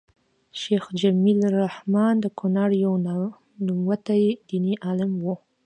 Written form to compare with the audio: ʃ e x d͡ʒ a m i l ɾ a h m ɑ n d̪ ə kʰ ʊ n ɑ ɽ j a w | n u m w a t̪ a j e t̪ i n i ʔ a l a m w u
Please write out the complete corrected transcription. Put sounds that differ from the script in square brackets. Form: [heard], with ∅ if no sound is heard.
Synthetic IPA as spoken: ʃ e x d͡ʒ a m i l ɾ a h m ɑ n d̪ ə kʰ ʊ n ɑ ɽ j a w | n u m w a t̪ a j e [d̪] i n i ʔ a l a m w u